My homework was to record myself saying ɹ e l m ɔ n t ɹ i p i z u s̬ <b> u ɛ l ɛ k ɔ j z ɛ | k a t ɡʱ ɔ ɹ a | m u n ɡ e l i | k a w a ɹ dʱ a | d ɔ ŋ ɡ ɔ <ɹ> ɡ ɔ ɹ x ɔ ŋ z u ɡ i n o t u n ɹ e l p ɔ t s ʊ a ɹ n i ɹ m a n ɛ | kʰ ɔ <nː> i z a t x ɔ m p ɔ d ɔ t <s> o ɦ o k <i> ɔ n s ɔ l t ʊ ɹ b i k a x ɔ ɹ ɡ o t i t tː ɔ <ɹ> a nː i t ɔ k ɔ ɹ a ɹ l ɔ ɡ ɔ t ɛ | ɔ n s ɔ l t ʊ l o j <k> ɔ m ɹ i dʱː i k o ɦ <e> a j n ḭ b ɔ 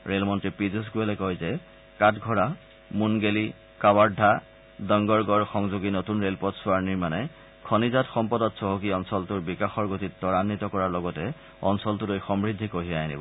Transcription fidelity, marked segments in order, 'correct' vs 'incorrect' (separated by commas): incorrect, correct, incorrect, correct, correct, correct, incorrect, incorrect